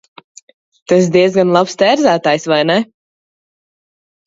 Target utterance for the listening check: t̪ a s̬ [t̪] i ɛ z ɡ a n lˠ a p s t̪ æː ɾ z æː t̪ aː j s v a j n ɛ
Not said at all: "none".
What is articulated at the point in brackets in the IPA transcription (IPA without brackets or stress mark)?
d̪